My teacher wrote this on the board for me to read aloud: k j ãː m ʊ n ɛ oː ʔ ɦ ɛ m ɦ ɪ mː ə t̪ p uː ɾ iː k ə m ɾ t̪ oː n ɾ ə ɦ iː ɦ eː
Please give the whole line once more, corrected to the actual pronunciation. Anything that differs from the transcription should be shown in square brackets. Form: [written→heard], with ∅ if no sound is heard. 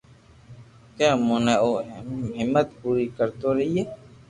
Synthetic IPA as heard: k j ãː m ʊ n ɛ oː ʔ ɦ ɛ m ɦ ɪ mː ə t̪ p uː ɾ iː k ə [m→∅] ɾ t̪ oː [n→∅] ɾ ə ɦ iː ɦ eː